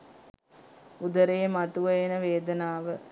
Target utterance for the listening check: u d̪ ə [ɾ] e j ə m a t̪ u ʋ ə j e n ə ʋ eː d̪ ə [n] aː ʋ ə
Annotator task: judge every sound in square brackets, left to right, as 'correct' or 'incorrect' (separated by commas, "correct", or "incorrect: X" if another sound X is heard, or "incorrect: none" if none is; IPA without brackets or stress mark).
correct, correct